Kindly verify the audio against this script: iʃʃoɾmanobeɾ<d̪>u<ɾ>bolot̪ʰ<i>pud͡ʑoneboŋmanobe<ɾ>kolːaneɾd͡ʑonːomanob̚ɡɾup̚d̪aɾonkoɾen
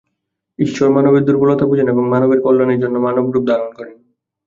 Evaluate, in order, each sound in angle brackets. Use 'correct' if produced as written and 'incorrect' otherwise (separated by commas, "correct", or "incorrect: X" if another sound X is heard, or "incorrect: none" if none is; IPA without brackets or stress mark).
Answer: correct, correct, incorrect: a, correct